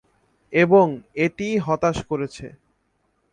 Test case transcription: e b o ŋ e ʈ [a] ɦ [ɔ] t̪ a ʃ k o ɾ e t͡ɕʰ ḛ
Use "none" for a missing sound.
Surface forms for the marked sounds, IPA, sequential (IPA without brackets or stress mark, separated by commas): i, ɔ